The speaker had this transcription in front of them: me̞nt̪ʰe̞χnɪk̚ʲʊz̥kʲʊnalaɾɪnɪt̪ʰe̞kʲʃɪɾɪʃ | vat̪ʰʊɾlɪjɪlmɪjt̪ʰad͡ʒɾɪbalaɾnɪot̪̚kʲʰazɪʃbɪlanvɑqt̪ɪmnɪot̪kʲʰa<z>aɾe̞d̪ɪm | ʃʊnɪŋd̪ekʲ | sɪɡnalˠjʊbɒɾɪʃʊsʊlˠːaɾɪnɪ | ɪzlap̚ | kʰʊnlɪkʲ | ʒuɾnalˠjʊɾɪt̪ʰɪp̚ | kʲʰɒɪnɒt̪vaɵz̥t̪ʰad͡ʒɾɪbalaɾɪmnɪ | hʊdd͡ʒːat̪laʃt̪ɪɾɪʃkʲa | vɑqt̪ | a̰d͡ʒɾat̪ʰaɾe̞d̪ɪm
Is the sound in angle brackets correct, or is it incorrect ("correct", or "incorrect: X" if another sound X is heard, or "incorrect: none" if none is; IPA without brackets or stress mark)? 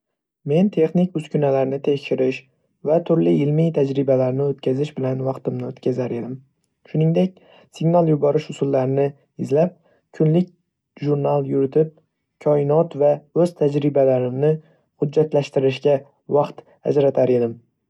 correct